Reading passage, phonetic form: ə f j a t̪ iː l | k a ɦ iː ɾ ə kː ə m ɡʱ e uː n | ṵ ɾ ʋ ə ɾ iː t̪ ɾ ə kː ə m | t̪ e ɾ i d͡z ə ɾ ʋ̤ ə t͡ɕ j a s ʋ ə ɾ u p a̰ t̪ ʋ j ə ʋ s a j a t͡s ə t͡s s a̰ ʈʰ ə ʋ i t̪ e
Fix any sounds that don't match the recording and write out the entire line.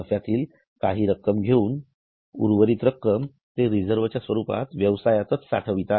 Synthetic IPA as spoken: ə f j a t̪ iː l | k a ɦ iː ɾ ə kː ə m ɡʱ e uː n | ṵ ɾ ʋ ə ɾ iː t̪ ɾ ə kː ə m | t̪ e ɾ i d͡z ə ɾ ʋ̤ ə t͡ɕ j a s ʋ ə ɾ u p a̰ t̪ ʋ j ə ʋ s a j a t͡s ə t͡s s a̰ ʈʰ ə ʋ i t̪ a

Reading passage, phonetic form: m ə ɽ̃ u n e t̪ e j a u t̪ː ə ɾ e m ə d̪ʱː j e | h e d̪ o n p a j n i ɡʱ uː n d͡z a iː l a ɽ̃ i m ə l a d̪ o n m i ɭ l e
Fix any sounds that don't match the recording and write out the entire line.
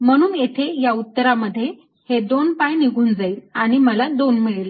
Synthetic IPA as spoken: m ə ɽ̃ uː n e t̪ʰ e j a u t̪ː ə ɾ a m ə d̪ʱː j e | h e d̪ o n p a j n i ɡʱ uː n d͡z a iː l a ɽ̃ i m ə l a d̪ o n m i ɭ l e

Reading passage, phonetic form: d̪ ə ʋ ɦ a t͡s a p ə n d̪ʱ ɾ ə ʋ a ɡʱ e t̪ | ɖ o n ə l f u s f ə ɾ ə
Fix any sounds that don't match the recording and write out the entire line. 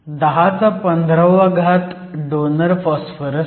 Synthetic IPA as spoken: d̪ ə ɦ a t͡s a p ə n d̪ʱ ɾ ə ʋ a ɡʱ a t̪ | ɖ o n ə ɾ f ɔ s f ə ɾ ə

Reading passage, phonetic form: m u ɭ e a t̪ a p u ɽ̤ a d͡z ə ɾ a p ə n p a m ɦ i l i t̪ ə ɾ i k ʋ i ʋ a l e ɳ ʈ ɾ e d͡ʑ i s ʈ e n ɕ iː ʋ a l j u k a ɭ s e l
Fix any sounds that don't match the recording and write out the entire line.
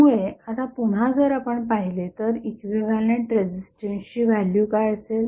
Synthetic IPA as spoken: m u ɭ e a t̪ a p u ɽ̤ a d͡z ə ɾ a p ə ɳ p a ɦ i l e t̪ ə ɾ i k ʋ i ʋ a l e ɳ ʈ ɾ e d͡ʑ i s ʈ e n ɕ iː ʋ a l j u k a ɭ s e l

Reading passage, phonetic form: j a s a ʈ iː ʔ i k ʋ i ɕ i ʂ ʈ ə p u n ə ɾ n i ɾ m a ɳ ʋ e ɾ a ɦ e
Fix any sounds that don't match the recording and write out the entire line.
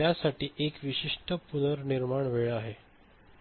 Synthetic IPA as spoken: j a s a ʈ iː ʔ e k ʋ i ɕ i ʂ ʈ ə p u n ə ɾ n i ɾ m a ɳ ʋ e ɭ a ɦ e

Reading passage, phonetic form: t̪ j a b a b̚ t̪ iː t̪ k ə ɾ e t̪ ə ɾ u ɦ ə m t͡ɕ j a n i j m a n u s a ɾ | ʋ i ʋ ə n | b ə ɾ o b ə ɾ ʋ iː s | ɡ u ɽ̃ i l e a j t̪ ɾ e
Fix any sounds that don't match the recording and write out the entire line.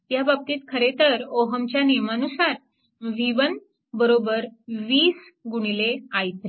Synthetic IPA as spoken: t̪ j a b a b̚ t̪ iː t̪ kʰ ə ɾ e t̪ ə ɾ o ɦ ə m t͡ɕ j a n i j m a n u s a ɾ | ʋ i ʋ ə n | b ə ɾ o b ə ɾ ʋ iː s | ɡ u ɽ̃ i l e a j t̪ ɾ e

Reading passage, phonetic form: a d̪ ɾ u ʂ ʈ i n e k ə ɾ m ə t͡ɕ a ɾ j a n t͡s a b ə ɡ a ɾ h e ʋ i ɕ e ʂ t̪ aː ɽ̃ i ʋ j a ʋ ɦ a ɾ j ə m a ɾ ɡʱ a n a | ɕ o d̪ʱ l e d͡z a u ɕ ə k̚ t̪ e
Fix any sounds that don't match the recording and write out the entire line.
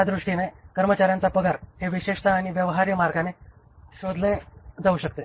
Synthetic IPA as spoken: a d̪ ɾ u ʂ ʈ i n e k ə ɾ m ə t͡ɕ a ɾ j a n t͡s a p ə ɡ a ɾ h e ʋ i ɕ e ʂ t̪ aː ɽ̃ i ʋ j ə ʋ ɦ a ɾ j ə m a ɾ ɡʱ a n e | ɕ o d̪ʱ l e d͡z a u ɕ ə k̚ t̪ e

